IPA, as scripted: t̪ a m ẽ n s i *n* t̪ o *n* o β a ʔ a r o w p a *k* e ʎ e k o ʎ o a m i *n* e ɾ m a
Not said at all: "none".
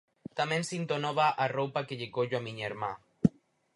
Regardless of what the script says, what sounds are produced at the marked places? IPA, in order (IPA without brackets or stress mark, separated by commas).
n, n, k, ɲ